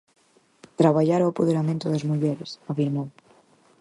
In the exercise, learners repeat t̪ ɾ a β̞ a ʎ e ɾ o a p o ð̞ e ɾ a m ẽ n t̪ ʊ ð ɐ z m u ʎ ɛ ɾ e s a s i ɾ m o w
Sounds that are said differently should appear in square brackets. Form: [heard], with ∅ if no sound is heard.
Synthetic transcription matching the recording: t̪ ɾ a β̞ a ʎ [a] ɾ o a p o ð̞ e ɾ a m ẽ n t̪ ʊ ð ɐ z m u ʎ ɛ ɾ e s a [f] i ɾ m o w